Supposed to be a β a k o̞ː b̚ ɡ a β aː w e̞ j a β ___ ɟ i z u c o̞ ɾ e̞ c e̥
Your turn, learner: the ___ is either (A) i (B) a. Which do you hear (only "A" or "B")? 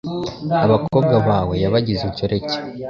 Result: B